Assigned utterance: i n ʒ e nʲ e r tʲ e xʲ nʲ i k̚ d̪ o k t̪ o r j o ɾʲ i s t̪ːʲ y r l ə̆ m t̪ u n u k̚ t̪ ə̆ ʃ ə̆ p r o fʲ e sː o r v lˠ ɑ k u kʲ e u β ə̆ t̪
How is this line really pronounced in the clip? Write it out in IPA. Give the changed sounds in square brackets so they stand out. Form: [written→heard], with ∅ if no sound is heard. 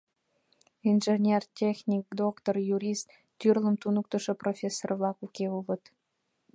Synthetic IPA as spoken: i n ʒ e nʲ e r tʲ e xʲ nʲ i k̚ d̪ o k t̪ o r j [o→u] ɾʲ i s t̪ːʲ y r l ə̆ m t̪ u n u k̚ t̪ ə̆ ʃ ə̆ p r o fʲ e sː o r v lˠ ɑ k u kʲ e u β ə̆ t̪

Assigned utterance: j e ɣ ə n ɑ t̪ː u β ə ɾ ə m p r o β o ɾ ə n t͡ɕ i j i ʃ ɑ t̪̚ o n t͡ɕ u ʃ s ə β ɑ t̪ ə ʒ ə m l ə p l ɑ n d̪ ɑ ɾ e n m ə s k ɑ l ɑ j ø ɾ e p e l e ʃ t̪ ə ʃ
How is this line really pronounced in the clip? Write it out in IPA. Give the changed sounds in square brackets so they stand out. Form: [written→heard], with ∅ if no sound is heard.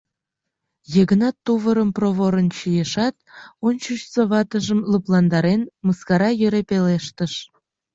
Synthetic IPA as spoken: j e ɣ ə n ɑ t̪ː u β ə ɾ ə m p r o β o ɾ ə n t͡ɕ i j [i→e] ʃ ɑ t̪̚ o n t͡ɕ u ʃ s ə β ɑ t̪ ə ʒ ə m l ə p l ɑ n d̪ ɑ ɾ e n m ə s k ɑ [l→ɾ] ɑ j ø ɾ e p e l e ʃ t̪ ə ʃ

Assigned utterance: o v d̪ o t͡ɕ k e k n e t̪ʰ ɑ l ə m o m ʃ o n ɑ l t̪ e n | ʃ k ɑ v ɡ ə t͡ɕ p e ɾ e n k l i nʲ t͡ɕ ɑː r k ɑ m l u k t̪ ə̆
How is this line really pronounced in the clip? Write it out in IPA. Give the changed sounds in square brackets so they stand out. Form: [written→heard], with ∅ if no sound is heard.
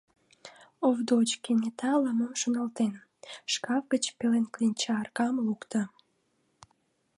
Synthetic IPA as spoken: o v d̪ o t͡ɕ k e [k→∅] n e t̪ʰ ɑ l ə m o m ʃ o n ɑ l t̪ e n | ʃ k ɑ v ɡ ə t͡ɕ p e [ɾ→l] e n k l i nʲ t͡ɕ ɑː r k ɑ m l u k t̪ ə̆

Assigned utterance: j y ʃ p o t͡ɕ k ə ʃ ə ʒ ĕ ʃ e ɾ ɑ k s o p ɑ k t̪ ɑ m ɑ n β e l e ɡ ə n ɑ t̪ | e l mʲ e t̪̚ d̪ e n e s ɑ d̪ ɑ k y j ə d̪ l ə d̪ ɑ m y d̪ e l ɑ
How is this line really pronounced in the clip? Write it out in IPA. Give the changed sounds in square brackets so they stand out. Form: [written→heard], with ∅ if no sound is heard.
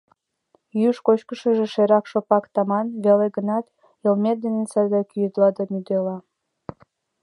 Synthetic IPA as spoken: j y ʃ [p→k] o t͡ɕ k ə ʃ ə ʒ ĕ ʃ e ɾ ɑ k [s→ʃ] o p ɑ k t̪ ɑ m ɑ n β e l e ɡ ə n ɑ t̪ | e l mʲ e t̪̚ d̪ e n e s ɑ d̪ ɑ k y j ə d̪ l [ə→ɑ] d̪ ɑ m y d̪ e l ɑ

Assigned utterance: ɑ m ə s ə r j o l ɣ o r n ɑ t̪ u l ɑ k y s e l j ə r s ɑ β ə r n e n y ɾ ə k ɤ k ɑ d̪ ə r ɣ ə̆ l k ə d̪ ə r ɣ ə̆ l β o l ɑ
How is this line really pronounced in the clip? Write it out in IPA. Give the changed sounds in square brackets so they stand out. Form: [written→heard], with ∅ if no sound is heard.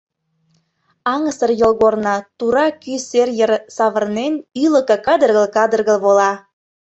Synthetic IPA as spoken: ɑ [m→ŋ] ə s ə r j o l ɣ o r n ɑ t̪ u [l→ɾ] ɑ k y s e [l→r] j ə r s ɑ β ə r n e n y [ɾ→l] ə k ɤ k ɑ d̪ ə r ɣ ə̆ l k [ə→ɑ] d̪ ə r ɣ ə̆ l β o l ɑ

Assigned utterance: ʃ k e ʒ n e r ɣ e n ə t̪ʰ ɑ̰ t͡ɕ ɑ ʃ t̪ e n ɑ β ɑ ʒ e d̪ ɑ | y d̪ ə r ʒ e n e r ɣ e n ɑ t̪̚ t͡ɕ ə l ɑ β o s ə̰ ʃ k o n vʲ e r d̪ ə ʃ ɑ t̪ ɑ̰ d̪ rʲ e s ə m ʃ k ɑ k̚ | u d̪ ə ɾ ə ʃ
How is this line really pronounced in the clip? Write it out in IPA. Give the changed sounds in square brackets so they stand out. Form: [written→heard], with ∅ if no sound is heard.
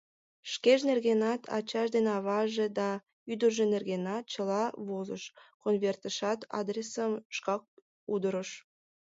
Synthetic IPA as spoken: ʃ k e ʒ n e r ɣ e n [ə→ɑ] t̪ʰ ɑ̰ t͡ɕ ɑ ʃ [t̪→d̪] e n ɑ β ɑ ʒ e d̪ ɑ | y d̪ ə r ʒ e n e r ɣ e n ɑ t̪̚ t͡ɕ ə l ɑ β o [s→z] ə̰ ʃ k o n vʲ e r [d̪→t̪] ə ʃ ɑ t̪ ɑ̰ d̪ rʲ e s ə m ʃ k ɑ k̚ | u d̪ ə ɾ ə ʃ

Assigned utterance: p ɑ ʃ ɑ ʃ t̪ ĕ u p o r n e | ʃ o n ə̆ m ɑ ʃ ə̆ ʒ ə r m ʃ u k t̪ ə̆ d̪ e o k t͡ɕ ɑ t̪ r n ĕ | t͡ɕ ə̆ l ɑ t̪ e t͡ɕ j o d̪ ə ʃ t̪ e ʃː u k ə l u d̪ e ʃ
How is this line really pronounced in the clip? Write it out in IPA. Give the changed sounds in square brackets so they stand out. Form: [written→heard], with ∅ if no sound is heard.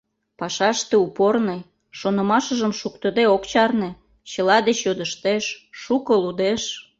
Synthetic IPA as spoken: p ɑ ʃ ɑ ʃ t̪ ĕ u p o r n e | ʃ o n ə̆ m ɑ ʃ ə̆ ʒ ə [r→∅] m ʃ u k t̪ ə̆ d̪ e o k t͡ɕ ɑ [t̪→∅] r n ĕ | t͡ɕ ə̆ l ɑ [t̪→d̪] e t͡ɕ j o d̪ ə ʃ t̪ e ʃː u k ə l u d̪ e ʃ

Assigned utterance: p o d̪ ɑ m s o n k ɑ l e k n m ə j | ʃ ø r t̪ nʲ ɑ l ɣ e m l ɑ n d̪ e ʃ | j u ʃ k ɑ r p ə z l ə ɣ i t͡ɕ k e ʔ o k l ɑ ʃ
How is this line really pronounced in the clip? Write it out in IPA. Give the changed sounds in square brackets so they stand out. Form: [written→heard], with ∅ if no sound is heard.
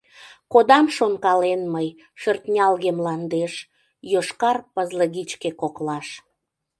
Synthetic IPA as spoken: [p→k] o d̪ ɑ m [s→ʃ] o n k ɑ l e [k→∅] n m ə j | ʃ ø r t̪ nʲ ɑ l ɣ e m l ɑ n d̪ e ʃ | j [u→o] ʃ k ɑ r p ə z l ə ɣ i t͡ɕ k e [ʔ→k] o k l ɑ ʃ

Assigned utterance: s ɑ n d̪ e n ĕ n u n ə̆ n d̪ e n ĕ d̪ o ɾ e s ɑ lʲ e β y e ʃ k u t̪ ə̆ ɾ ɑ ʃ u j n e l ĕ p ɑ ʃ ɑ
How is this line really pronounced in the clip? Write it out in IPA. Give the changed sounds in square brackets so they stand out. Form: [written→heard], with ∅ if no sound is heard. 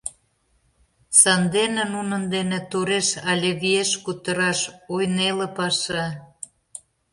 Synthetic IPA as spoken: s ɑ n d̪ e n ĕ n u n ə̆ n d̪ e n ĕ [d̪→t̪] o ɾ e [s→ʃ] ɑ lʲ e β [y→i] e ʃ k u t̪ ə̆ ɾ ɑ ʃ [u→o] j n e l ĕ p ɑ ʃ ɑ

